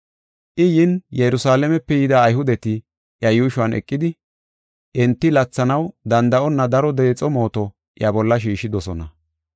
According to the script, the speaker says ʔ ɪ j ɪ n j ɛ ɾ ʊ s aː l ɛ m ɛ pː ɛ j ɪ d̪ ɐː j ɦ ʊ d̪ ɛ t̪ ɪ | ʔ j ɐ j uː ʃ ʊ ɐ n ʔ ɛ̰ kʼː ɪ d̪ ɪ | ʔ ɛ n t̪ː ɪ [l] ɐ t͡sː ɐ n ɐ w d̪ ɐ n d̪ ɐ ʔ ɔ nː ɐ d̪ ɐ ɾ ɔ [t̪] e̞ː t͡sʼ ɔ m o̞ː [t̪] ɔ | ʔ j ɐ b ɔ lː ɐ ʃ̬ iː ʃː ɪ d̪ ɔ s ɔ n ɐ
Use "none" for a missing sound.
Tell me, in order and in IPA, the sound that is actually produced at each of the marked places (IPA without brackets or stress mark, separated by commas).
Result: l, d̪, t̪